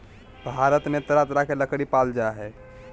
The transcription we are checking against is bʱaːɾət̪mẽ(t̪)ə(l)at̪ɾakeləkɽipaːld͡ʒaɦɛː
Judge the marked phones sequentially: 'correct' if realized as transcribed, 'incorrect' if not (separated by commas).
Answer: correct, incorrect